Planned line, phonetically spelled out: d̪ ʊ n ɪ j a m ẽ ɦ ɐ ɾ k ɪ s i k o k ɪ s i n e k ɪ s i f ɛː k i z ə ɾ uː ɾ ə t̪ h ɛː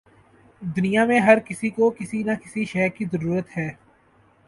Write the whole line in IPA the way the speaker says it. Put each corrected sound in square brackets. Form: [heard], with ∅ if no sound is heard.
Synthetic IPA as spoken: d̪ ʊ n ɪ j a m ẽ ɦ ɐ ɾ k ɪ s i k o k ɪ s i n [a] k ɪ s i [ʃ] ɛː k i z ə ɾ uː ɾ ə t̪ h ɛː